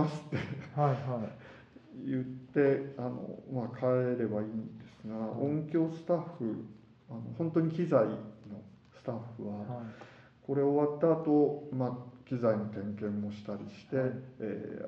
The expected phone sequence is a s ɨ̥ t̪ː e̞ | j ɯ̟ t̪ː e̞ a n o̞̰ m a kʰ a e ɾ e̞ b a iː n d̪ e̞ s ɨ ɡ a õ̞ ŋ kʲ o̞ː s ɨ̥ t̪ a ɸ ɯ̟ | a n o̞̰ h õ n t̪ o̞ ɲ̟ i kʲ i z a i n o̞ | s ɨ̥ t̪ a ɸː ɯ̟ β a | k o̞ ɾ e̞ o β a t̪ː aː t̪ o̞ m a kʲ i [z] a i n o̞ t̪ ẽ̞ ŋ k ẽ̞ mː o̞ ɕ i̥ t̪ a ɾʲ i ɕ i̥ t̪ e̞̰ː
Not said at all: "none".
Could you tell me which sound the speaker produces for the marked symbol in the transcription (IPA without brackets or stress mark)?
z